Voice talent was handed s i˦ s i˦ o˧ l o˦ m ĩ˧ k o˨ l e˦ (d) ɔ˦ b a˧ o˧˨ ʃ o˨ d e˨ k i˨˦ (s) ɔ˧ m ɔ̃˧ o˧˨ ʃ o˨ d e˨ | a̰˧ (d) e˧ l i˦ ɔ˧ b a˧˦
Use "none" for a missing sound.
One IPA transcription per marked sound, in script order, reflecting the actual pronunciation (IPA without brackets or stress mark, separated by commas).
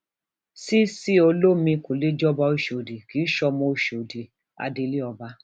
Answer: d͡ʒ, ʃ, d